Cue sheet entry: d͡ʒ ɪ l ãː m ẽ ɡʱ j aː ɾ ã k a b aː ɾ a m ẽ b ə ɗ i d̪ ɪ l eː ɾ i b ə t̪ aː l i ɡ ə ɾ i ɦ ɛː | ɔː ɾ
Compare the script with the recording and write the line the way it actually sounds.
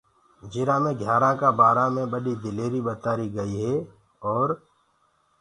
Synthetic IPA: d͡ʒ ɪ ɾ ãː m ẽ ɡʱ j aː ɾ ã k a b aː ɾ a m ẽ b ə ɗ i d̪ ɪ l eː ɾ i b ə t̪ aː ɾ i ɡ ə i ɦ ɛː | ɔː ɾ